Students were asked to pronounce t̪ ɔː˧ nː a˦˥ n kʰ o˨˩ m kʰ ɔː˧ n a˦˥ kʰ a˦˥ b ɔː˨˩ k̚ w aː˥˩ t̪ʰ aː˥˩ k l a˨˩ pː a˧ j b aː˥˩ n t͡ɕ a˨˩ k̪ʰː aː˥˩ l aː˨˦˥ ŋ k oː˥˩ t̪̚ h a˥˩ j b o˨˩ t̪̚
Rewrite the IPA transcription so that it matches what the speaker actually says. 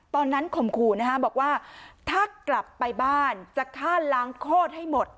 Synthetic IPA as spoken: t̪ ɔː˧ nː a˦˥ n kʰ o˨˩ m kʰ uː˧ n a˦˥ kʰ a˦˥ b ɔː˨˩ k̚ w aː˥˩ t̪ʰ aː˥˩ k l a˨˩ pː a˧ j b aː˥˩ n t͡ɕ a˨˩ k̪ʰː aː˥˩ l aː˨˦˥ ŋ kʰ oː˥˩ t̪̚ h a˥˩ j m o˨˩ t̪̚

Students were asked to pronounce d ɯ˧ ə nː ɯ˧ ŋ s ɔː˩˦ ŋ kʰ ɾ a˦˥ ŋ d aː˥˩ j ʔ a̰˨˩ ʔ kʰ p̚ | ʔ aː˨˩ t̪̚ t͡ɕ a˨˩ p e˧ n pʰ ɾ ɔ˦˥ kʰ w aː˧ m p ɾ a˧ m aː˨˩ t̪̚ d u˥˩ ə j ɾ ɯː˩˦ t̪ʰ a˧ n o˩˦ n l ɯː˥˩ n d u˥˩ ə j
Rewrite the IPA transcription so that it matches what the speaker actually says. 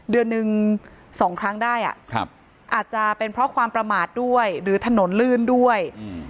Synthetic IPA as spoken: d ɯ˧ ə nː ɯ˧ ŋ s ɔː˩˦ ŋ kʰ ɾ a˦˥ ŋ d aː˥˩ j ʔ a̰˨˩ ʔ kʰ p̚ | ʔ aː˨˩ t̪̚ t͡ɕ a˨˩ p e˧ n pʰ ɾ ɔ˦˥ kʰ w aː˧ m p ɾ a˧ m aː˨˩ t̪̚ d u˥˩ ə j ɾ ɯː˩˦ t̪ʰ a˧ n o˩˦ n l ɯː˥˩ n d u˥˩ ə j

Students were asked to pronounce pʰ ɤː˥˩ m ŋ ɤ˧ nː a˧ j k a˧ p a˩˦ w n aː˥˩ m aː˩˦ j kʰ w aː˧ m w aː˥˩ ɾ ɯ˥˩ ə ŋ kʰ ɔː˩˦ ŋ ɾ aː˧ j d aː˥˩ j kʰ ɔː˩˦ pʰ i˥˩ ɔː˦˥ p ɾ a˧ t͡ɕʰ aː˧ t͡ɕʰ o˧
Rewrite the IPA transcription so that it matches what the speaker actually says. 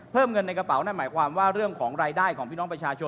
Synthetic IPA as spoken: pʰ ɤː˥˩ m ŋ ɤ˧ nː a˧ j k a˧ p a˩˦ w n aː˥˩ m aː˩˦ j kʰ w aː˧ m w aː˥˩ ɾ ɯ˥˩ ə ŋ kʰ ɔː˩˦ ŋ ɾ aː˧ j d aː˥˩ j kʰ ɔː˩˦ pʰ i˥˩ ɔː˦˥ p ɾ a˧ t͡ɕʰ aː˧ t͡ɕʰ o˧

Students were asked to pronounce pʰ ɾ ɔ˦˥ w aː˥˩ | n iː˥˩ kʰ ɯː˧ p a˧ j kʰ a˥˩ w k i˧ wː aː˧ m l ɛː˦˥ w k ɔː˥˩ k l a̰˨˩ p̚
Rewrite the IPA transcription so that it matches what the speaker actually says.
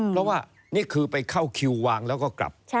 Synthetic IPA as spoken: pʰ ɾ ɔ˦˥ w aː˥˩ | n iː˥˩ kʰ ɯː˧ p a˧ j kʰ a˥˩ w kʰ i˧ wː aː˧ ŋ l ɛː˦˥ w k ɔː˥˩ k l a̰˨˩ p̚

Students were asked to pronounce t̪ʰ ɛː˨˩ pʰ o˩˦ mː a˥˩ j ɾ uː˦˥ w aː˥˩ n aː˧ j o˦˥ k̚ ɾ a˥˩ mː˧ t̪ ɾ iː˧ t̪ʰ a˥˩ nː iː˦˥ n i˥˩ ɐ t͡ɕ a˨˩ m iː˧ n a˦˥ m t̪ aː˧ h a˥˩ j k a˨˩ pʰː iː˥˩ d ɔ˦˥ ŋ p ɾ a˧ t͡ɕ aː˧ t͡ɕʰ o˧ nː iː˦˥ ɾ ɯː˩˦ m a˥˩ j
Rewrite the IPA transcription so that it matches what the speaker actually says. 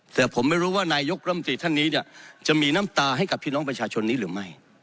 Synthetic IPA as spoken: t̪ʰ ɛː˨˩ pʰ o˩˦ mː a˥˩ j ɾ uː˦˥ w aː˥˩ n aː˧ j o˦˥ k̚ ɾ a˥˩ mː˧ t̪ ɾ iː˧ t̪ʰ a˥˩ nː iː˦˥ n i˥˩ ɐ t͡ɕ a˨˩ m iː˧ n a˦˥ m t̪ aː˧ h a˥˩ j k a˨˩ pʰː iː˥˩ n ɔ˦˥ ŋ p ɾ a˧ t͡ɕʰ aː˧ t͡ɕʰ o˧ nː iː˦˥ ɾ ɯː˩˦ m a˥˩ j

